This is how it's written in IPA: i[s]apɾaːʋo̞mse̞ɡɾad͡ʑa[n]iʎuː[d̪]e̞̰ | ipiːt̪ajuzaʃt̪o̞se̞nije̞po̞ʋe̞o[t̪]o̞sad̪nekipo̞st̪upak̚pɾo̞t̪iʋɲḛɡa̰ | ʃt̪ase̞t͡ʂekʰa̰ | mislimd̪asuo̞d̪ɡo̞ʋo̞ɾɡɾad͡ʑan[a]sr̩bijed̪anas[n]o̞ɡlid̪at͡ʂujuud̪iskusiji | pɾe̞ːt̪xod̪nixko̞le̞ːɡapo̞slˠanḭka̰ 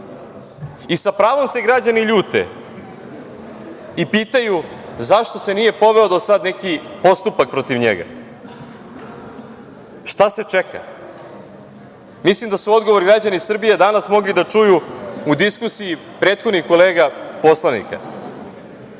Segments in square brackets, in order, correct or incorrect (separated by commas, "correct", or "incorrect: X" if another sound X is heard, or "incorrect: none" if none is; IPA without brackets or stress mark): correct, correct, incorrect: t̪, incorrect: d̪, incorrect: i, incorrect: m